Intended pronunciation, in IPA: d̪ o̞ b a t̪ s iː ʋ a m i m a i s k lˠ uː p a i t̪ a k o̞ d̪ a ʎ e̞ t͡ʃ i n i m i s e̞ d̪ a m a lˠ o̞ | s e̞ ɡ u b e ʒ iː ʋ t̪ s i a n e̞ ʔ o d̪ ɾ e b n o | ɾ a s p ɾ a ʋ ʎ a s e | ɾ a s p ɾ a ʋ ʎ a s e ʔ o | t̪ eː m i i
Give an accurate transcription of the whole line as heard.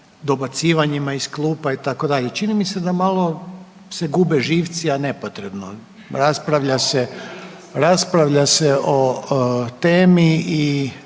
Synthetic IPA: d̪ o̞ b a t̪ s iː ʋ a ɲ i m a i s k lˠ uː p a i t̪ a k o̞ d̪ a ʎ e̞ t͡ʃ i n i m i s e̞ d̪ a m a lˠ o̞ | s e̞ ɡ u b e ʒ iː ʋ t̪ s i a n e̞ p o t̪ ɾ e b n o | ɾ a s p ɾ a ʋ ʎ a s e | ɾ a s p ɾ a ʋ ʎ a s e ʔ o | t̪ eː m i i